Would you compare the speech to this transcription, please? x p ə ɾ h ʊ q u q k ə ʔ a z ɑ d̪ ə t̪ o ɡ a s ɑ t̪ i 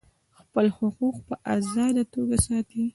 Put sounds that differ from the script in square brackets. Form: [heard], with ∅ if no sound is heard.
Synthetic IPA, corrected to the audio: x p ə [l] h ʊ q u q [p] ə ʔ a z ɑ d̪ [a] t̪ o ɡ a s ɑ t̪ i